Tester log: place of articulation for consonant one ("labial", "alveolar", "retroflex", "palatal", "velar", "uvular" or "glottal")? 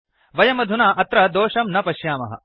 labial